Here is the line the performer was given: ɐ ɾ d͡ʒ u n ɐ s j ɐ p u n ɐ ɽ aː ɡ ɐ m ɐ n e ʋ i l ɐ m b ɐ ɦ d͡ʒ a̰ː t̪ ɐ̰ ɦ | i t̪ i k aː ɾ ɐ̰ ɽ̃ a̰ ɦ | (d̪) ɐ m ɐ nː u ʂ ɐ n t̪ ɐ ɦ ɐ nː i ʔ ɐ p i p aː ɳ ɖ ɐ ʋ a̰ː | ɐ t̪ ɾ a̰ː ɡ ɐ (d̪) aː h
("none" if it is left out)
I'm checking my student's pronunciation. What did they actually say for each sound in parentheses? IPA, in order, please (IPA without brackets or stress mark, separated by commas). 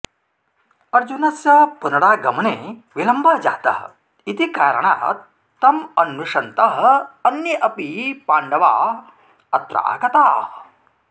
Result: t̪, t̪